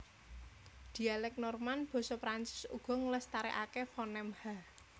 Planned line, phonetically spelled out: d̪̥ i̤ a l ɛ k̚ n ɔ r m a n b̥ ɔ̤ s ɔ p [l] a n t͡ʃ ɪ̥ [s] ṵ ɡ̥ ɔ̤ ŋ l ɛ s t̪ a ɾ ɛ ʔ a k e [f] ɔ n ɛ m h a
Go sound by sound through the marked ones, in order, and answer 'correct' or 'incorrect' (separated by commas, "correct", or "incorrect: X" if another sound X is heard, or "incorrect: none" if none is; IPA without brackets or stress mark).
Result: incorrect: ɾ, correct, correct